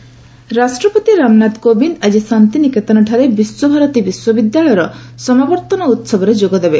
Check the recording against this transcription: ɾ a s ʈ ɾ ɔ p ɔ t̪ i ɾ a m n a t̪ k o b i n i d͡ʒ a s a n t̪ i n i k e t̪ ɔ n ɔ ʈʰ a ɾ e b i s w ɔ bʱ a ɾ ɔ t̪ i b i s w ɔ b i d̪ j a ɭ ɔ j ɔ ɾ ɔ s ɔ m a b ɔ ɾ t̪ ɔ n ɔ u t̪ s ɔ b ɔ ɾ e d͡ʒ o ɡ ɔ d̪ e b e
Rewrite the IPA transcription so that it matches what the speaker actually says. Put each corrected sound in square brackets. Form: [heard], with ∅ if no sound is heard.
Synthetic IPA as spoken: ɾ a s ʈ ɾ ɔ p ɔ t̪ i ɾ a m n a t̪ k o b i n [a] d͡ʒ [i] s a n t̪ i n i k e t̪ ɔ n ɔ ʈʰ a ɾ e b i s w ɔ bʱ a ɾ ɔ t̪ i b i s w ɔ b i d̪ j a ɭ ɔ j ɔ ɾ ɔ s ɔ m a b ɔ ɾ t̪ ɔ n ɔ u t̪ s ɔ b ɔ ɾ e d͡ʒ o ɡ ɔ d̪ e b e